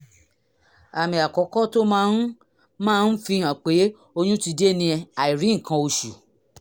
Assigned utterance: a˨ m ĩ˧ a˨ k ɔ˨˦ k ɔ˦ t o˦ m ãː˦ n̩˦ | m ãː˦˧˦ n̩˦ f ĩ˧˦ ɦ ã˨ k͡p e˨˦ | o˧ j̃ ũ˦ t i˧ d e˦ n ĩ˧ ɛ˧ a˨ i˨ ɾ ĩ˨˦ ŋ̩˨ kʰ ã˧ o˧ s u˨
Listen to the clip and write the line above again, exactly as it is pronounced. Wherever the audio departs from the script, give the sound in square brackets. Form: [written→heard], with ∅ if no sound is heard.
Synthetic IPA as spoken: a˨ m ĩ˧ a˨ k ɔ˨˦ k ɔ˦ t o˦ m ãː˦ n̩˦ | m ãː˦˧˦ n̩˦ f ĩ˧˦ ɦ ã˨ k͡p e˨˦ | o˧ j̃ ũ˦ t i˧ d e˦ n ĩ˧ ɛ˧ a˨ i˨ ɾ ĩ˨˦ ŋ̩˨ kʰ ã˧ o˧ [s→ʃ] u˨